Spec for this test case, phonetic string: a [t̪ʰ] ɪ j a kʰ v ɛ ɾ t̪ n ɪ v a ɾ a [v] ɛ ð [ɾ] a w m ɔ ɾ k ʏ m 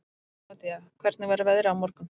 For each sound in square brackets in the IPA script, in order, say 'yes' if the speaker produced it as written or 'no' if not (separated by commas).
no, yes, yes